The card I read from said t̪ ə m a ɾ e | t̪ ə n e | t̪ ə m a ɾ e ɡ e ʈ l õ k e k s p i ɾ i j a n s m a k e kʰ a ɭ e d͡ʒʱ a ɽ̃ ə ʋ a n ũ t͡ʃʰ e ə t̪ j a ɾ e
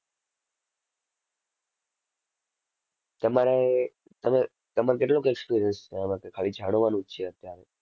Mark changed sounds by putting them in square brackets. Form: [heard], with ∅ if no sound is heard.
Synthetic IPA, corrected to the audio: t̪ ə m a ɾ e | t̪ ə [m] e | t̪ ə m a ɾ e [k] e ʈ l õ k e k s p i ɾ i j [ə] n s m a k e kʰ a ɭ [i] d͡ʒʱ a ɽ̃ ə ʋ a n ũ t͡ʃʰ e ə t̪ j a ɾ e